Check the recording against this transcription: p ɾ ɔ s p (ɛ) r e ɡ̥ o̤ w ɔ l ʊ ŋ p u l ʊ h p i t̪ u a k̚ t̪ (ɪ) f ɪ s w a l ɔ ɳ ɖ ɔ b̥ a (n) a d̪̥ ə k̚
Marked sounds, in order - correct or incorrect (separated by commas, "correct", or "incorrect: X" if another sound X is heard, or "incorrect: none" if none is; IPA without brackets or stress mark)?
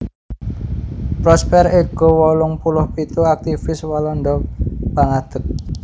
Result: correct, incorrect: i, incorrect: ŋ